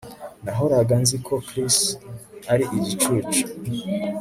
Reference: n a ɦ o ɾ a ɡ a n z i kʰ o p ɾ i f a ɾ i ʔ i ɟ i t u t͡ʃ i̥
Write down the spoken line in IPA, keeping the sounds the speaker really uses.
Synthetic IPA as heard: n a ɦ o ɾ a ɡ a n z i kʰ o k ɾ i s a ɾ i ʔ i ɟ i t͡ʃ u t͡ʃ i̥